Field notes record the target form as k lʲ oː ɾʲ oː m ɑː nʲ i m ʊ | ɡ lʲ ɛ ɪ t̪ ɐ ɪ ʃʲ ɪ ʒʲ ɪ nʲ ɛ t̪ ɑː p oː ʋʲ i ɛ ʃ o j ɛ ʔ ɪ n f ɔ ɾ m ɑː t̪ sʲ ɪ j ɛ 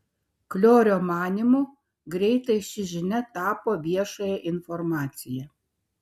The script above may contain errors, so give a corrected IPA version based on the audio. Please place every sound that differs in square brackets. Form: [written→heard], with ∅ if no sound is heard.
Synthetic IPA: k lʲ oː ɾʲ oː m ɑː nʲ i m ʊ | ɡ [lʲ→ɾʲ] ɛ ɪ t̪ ɐ ɪ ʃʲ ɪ ʒʲ ɪ nʲ ɛ t̪ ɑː p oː ʋʲ i ɛ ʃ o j ɛ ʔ ɪ n f ɔ ɾ m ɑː t̪ sʲ ɪ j ɛ